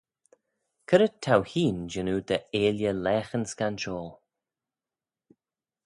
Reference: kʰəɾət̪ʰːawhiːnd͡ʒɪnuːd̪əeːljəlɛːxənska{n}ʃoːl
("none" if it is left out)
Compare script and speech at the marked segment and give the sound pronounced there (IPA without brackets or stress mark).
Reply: n